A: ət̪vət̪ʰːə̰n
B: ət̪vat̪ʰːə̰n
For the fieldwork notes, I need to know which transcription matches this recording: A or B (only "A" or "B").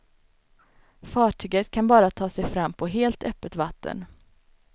B